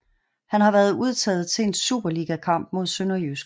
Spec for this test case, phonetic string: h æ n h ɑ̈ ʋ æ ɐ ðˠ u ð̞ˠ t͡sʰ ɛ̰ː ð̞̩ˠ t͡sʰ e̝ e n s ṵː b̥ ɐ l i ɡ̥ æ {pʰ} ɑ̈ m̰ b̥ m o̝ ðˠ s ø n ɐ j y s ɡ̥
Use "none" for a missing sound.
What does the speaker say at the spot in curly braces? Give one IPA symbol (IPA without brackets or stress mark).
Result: kʰ